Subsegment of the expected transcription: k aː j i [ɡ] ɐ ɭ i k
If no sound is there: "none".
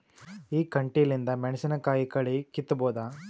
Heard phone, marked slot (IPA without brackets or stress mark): k